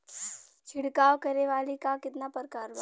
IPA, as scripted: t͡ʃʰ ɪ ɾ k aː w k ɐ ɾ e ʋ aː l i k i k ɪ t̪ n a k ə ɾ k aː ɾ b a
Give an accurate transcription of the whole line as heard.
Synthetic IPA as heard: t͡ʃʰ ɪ ɽ k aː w k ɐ ɾ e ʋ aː l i k a k ɪ t̪ n a p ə ɾ k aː ɾ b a